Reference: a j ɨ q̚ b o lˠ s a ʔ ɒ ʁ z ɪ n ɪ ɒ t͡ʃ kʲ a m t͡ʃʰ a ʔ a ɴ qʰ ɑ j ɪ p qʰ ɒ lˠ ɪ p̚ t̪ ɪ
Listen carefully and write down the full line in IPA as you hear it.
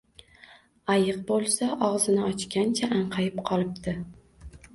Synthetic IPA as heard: a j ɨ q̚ b o lˠ s a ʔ ɒ ʁ z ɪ n ɪ ɒ t͡ʃ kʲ a n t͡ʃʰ a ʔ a ɴ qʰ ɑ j ɪ p qʰ ɒ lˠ ɪ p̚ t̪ ɪ